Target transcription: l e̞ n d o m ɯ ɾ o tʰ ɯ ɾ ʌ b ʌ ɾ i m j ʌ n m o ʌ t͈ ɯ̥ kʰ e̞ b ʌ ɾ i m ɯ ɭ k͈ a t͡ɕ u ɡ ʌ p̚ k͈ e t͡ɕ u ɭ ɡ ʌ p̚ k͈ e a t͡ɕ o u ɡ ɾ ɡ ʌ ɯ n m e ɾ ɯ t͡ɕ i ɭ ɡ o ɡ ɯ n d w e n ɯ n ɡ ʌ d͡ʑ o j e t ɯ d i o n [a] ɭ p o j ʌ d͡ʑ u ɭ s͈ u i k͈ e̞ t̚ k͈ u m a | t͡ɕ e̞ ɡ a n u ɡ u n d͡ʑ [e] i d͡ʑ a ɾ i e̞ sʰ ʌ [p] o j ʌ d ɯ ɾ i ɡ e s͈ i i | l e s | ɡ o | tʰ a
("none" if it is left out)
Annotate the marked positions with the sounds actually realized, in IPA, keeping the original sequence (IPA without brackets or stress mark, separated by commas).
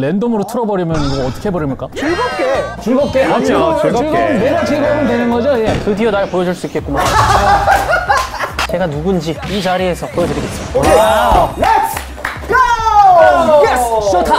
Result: a, i, p